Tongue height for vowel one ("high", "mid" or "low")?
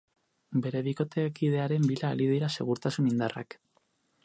mid